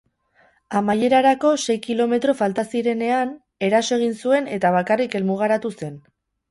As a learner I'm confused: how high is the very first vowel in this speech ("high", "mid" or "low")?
low